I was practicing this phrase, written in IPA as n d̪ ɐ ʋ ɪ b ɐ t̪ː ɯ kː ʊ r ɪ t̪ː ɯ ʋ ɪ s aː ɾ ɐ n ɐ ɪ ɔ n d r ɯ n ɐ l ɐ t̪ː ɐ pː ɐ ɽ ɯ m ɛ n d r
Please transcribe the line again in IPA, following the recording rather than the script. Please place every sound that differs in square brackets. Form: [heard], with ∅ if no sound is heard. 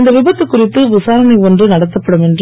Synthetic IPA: n d̪ ɐ ʋ ɪ b ɐ t̪ː ɯ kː ʊ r ɪ t̪ː ɯ ʋ ɪ s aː ɾ ɐ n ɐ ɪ ɔ n d r ɯ n ɐ [ɽ] ɐ t̪ː ɐ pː ɐ ɽ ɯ m ɛ n d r